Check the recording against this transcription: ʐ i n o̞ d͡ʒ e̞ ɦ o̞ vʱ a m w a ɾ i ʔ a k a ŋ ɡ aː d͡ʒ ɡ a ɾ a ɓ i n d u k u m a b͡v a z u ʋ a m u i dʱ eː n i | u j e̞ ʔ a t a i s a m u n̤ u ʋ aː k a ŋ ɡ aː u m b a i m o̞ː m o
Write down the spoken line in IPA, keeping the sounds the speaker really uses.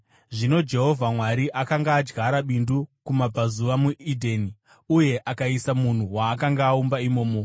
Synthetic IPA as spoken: ʐ i n o̞ d͡ʒ e̞ ɦ o̞ vʱ a m w a ɾ i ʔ a k a ŋ ɡ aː d͡ʒ ɡ a ɾ a ɓ i n d u k u m a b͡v a z u ʋ a m u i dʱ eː n i | u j e̞ ʔ a k a i s a m u n̤ u w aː k a ŋ ɡ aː u m b a i m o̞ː m o